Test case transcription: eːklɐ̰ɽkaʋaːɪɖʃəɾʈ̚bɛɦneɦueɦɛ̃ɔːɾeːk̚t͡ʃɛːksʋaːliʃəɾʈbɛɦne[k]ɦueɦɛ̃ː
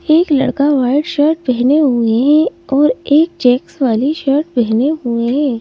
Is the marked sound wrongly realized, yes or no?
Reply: yes